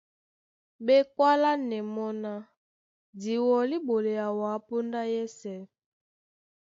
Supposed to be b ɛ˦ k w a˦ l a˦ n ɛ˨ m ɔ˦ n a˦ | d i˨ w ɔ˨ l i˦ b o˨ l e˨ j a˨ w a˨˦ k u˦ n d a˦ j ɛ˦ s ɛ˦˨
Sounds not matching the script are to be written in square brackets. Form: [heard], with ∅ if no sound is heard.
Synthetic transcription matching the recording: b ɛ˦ k w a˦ l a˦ n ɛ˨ m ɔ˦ n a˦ | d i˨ w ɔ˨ l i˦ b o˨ l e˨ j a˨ w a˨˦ [p] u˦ n d a˦ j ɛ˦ s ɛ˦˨